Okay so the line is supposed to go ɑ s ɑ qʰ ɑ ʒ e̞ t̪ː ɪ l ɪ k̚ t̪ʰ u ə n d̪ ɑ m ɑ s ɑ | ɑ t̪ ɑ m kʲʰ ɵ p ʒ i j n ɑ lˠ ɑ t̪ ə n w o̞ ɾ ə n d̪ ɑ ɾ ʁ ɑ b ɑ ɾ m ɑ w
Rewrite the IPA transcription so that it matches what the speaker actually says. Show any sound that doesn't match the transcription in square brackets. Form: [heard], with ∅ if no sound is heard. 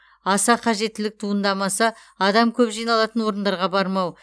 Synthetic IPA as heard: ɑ s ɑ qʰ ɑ ʒ e̞ t̪ː ɪ l ɪ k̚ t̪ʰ u ə n d̪ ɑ m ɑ s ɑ | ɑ [d̪] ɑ m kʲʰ ɵ p ʒ i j n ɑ lˠ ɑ t̪ ə n w o̞ ɾ ə n d̪ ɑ ɾ ʁ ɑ b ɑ ɾ m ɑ w